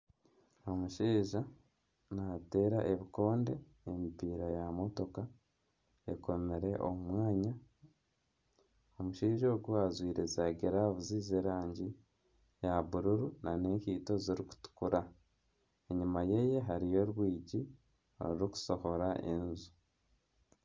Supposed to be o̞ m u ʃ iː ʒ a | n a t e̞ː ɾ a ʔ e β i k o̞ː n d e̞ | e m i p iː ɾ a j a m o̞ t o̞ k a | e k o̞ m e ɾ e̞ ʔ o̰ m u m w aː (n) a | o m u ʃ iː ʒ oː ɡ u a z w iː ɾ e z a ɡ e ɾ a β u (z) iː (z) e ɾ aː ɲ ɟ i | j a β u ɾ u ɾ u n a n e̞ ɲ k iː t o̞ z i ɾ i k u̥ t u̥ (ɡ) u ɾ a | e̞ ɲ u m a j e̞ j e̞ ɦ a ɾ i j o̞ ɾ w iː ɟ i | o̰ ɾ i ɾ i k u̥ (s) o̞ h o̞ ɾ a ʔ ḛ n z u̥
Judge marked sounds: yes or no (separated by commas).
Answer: no, yes, yes, no, yes